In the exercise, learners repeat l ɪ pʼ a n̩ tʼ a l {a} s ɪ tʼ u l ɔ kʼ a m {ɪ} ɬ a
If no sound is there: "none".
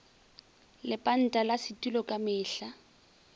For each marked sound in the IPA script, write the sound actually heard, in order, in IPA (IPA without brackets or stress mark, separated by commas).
a, ɪː